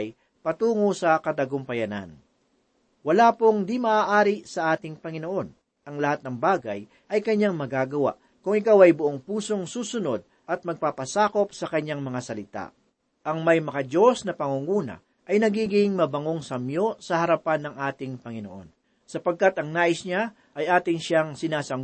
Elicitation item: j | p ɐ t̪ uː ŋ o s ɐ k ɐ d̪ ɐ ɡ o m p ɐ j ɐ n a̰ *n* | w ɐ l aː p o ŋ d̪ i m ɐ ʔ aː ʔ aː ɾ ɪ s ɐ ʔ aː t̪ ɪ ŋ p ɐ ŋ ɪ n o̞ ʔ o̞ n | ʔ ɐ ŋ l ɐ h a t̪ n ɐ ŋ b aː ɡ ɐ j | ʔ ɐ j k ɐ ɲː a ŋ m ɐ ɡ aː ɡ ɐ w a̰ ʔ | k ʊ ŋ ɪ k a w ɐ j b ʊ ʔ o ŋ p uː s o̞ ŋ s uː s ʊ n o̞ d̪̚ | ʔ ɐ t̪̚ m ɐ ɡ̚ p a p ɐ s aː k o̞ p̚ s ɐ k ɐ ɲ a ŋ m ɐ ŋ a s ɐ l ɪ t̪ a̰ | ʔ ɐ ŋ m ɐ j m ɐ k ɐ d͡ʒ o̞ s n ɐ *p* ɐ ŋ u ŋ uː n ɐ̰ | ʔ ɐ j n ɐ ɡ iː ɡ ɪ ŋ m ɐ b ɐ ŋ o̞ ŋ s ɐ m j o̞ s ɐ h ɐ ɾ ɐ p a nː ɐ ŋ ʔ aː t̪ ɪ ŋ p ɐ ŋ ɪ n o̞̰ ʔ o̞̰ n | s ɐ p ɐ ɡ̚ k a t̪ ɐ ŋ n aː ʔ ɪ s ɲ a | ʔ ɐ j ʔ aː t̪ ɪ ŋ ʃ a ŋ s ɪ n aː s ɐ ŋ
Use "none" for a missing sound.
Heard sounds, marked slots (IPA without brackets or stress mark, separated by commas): n, p